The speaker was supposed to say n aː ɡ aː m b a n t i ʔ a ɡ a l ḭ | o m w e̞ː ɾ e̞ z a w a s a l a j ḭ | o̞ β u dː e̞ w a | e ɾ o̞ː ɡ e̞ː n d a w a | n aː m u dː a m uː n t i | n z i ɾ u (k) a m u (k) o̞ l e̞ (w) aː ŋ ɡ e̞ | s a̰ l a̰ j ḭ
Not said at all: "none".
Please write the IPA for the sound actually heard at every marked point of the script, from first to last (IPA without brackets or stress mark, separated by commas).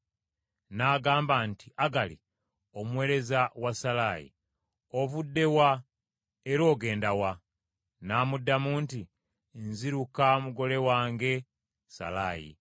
k, ɡ, w